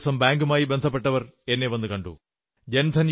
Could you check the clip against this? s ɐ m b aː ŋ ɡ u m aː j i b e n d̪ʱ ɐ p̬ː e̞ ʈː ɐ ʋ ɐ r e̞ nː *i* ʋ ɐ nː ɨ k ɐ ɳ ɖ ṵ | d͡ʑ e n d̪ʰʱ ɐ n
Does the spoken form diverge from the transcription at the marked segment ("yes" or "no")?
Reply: yes